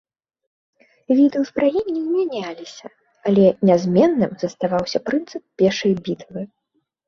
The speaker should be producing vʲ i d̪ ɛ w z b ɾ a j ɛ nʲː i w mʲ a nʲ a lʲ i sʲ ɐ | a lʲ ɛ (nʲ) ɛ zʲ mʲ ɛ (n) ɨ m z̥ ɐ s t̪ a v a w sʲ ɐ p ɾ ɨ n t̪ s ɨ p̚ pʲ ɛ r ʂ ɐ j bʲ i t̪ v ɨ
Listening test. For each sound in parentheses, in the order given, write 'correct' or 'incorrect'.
correct, incorrect

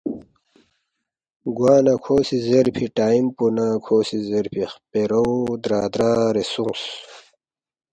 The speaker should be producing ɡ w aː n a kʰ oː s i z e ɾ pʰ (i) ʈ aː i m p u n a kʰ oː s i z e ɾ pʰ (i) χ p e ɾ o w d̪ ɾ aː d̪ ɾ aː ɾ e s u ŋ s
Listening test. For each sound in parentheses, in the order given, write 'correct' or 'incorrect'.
correct, correct

